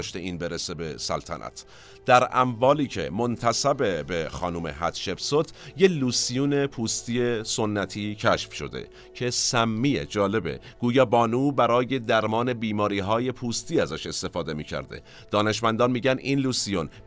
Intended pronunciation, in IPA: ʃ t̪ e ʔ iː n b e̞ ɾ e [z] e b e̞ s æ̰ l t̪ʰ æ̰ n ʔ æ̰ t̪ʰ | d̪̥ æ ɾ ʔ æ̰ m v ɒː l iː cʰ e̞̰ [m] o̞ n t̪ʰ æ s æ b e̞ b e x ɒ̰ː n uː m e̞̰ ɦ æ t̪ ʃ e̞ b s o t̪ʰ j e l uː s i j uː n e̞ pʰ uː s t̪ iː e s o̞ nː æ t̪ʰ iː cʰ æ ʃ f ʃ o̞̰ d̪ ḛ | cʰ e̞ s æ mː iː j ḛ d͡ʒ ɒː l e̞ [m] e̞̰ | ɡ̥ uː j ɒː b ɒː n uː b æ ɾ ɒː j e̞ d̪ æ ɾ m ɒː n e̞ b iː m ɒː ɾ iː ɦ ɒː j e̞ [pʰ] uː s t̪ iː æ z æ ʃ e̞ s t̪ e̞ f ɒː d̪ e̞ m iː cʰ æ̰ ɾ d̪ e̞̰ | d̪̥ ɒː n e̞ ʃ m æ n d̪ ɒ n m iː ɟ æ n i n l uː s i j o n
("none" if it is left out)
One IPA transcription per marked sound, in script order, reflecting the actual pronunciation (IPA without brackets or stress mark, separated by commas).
s, m, b, pʰ